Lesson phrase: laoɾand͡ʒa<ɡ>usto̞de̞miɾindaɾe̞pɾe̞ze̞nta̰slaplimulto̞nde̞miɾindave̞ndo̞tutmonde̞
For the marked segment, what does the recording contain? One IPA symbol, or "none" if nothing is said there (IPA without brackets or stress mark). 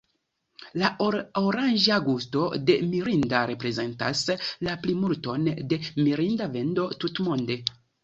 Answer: ɡ